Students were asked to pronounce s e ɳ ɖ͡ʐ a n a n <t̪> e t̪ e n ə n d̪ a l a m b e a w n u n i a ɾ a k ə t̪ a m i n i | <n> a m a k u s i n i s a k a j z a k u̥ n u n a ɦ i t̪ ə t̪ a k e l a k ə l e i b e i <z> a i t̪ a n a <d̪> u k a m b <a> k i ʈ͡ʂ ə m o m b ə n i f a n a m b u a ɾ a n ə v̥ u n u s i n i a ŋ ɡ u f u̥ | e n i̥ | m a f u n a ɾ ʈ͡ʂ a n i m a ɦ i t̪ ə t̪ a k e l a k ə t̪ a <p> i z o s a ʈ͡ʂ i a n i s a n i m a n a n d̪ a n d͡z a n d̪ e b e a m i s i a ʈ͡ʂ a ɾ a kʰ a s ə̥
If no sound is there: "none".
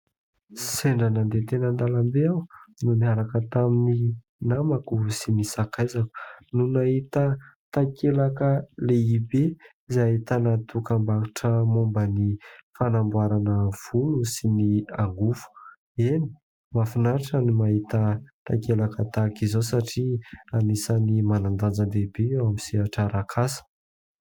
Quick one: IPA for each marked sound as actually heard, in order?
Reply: d̪, n, z, t̪, a, k

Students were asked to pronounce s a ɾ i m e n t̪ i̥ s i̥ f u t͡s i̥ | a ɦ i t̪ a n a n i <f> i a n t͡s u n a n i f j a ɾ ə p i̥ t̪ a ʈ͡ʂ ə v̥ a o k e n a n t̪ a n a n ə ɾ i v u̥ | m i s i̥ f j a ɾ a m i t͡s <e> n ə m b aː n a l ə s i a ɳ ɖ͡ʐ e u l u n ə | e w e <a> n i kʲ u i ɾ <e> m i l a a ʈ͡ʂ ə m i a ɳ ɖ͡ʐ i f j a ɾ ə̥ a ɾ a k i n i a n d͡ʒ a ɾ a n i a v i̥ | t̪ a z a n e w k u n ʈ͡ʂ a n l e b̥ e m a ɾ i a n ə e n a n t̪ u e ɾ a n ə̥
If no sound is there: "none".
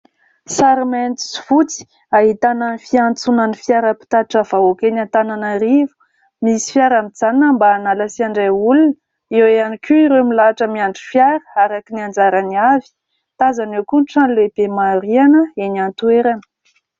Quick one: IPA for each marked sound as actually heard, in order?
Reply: f, a, a, e

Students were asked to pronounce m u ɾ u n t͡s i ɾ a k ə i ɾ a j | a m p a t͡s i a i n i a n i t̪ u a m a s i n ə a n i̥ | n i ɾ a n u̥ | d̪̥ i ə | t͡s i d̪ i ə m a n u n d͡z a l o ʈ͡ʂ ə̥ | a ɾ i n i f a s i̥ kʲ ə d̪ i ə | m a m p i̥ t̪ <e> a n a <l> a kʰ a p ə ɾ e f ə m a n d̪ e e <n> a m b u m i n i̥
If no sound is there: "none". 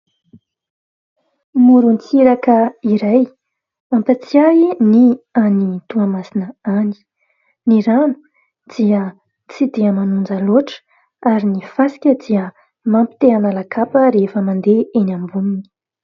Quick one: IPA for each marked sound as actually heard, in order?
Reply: e, l, n

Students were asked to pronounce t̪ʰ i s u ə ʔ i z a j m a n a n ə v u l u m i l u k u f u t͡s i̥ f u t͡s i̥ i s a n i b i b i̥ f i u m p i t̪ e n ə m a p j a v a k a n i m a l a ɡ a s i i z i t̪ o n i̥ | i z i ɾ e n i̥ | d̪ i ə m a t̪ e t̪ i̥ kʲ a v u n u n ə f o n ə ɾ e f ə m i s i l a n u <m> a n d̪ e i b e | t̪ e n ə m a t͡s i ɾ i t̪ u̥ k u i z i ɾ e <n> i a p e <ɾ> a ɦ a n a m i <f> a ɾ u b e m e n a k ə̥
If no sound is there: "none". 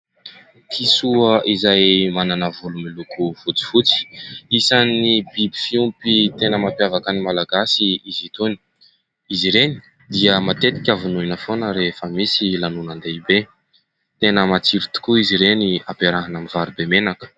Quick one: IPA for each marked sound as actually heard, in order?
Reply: n, n, ɾ, v

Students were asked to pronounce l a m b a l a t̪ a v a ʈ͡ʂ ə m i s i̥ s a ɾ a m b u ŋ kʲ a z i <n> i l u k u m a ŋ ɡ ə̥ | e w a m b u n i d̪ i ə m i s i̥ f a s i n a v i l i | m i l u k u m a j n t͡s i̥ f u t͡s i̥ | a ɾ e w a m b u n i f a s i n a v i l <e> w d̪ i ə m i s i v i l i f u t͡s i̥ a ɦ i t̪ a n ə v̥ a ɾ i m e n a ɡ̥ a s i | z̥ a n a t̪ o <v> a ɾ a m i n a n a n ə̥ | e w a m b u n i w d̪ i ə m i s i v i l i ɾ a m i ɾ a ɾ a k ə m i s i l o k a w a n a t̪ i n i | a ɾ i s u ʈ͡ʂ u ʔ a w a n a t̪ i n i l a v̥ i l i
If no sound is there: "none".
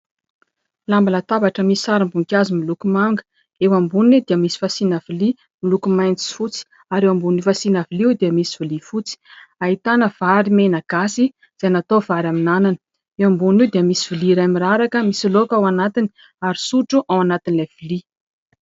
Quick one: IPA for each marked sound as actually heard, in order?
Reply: m, i, v

